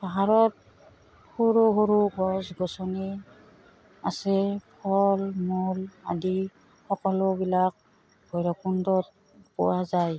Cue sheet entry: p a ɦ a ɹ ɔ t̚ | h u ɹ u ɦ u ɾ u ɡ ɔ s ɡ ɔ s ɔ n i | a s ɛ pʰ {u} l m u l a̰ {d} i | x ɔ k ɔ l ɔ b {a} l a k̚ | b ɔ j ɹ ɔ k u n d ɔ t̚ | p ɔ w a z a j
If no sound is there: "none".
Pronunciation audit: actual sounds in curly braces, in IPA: ɔ, d, i

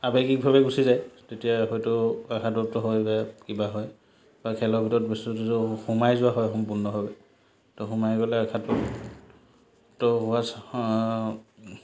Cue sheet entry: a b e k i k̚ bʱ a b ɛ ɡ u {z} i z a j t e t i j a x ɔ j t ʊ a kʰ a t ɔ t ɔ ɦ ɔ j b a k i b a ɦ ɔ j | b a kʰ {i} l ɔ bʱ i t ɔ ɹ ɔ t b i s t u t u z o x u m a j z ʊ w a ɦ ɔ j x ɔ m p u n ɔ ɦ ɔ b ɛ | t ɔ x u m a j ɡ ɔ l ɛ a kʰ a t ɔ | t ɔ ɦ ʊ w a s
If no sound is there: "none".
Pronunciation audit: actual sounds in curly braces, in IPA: s, ɛ

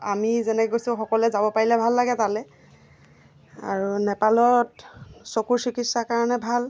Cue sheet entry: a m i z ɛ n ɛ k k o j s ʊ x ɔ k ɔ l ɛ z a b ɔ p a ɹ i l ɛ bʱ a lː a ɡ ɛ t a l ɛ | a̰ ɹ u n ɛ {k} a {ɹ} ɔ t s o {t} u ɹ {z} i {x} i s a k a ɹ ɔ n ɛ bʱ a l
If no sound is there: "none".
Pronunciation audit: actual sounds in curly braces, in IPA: p, l, k, s, k

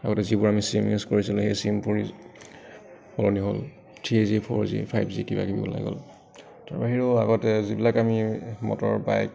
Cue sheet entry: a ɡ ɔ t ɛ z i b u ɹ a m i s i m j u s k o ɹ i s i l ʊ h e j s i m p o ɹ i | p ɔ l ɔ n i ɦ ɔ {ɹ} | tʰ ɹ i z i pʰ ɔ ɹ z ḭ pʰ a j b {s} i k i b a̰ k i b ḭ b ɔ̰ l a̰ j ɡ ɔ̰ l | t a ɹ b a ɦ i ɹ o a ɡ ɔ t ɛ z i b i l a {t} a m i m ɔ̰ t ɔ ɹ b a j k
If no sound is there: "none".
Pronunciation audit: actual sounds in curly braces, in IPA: l, z, k

